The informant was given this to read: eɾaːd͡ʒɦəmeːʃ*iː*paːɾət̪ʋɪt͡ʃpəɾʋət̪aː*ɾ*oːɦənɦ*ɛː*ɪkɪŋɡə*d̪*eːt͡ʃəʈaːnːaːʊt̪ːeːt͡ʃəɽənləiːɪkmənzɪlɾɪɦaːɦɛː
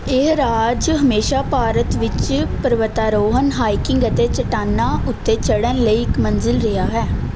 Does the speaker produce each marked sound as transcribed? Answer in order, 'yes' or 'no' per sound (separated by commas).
no, yes, no, no